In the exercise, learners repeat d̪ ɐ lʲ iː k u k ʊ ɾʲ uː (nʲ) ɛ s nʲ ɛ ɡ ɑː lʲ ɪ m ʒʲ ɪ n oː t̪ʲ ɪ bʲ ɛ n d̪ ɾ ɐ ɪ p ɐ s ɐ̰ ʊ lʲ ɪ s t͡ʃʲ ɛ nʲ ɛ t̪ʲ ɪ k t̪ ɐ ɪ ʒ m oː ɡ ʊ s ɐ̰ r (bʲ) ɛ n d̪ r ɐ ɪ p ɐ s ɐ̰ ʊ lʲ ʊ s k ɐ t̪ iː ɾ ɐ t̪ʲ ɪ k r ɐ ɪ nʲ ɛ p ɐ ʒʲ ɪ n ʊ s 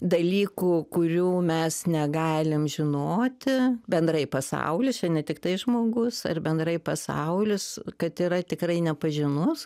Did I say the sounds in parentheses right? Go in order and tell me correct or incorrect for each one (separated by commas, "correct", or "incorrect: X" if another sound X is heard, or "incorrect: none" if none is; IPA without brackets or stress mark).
incorrect: mʲ, correct